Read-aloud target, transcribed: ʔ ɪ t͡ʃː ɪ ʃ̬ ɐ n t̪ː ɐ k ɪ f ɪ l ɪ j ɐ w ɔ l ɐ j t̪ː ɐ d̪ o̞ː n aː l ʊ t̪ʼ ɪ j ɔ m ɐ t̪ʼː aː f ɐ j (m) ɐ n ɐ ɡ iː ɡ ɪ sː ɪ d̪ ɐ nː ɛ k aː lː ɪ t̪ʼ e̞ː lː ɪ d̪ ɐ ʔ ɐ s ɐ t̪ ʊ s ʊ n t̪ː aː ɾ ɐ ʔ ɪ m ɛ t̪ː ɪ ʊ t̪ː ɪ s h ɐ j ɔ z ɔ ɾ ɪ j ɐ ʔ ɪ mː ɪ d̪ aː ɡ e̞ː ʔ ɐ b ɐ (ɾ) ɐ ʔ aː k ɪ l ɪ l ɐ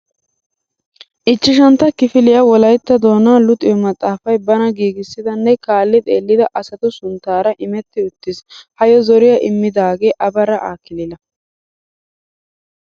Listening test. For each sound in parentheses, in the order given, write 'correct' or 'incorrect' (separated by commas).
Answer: incorrect, correct